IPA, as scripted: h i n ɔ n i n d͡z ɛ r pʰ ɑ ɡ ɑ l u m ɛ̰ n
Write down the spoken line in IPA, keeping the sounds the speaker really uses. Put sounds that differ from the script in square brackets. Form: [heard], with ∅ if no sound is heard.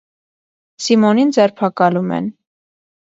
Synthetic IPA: [s] i [m] ɔ n i n d͡z ɛ [ɾ] pʰ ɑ [k] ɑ l u m ɛ̰ n

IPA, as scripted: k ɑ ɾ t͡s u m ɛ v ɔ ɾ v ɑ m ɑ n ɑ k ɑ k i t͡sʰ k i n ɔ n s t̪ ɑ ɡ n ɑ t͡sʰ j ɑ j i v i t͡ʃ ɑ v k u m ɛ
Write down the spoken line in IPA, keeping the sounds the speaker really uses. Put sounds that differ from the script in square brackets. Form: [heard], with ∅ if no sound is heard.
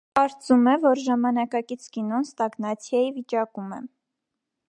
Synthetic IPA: k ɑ ɾ t͡s u m ɛ v ɔ ɾ [ʒ] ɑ m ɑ n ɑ k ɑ k i t͡sʰ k i n ɔ n s t̪ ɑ ɡ n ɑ t͡sʰ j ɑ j i v i t͡ʃ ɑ [∅] k u m ɛ

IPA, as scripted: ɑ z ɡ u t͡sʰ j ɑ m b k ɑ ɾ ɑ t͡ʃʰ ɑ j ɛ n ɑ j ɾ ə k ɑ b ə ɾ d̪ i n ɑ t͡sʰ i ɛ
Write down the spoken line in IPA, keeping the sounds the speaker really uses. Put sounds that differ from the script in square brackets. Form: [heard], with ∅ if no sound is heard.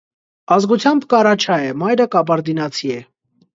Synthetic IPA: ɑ z ɡ u t͡sʰ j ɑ m b k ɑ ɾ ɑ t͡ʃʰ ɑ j ɛ [m] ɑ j ɾ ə k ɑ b [ɑ] ɾ d̪ i n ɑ t͡sʰ i ɛ

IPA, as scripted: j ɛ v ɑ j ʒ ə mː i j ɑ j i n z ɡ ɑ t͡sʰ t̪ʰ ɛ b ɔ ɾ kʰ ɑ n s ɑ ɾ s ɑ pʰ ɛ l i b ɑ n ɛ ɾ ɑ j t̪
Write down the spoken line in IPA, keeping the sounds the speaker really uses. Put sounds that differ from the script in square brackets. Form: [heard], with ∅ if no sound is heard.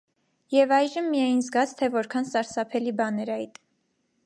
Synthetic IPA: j ɛ v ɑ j ʒ ə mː i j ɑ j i n z ɡ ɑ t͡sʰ t̪ʰ ɛ [v] ɔ ɾ kʰ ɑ n s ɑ ɾ s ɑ pʰ ɛ l i b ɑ n ɛ ɾ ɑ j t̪

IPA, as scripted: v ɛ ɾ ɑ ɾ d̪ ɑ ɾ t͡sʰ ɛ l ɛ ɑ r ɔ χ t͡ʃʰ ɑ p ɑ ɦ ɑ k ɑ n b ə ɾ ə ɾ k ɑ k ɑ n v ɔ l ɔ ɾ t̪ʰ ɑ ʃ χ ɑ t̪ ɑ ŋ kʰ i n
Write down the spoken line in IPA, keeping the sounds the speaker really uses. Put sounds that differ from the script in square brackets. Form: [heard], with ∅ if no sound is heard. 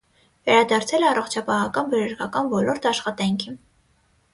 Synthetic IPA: v ɛ ɾ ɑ [∅] d̪ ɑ ɾ t͡sʰ ɛ l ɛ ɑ r ɔ χ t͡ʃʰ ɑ p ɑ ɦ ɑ k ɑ n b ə ɾ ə ɾ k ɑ k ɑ n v ɔ l ɔ ɾ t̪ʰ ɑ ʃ χ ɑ t̪ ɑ ŋ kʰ i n

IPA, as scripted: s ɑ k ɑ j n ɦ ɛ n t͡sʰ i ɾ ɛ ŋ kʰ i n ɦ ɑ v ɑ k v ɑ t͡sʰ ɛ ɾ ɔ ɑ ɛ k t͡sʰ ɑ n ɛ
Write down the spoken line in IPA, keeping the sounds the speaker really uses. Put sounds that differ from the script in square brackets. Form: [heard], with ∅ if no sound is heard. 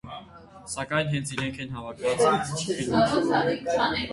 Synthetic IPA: s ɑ k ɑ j n ɦ ɛ n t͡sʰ i ɾ ɛ ŋ kʰ [ɛ] n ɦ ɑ v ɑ [kʰ] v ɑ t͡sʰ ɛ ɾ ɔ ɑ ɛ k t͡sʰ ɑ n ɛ

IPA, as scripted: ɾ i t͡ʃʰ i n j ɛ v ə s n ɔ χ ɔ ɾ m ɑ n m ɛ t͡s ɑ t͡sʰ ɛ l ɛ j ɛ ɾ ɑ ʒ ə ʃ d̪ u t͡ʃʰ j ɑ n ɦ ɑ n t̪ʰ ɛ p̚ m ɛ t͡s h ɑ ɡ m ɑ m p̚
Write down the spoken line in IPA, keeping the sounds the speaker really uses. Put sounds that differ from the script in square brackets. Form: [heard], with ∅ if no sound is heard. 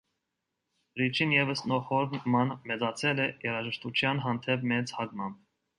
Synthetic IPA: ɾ i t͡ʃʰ i n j ɛ v ə s n ɔ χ ɔ ɾ m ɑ n m ɛ t͡s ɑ t͡sʰ ɛ l ɛ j ɛ ɾ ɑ ʒ ə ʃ [t̪] u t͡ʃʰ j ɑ n ɦ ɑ n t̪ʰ ɛ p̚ m ɛ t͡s h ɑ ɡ m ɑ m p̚

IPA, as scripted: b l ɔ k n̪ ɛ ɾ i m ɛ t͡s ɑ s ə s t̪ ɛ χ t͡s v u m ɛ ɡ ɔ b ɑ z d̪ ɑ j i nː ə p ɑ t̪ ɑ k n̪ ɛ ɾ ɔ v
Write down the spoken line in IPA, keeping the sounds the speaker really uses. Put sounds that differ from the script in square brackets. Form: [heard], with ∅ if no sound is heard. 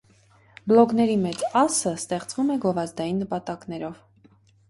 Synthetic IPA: b l ɔ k n̪ ɛ ɾ i m ɛ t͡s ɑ s ə s t̪ ɛ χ t͡s v u m ɛ ɡ ɔ [v] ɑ z d̪ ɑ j i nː ə p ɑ t̪ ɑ k n̪ ɛ ɾ ɔ v

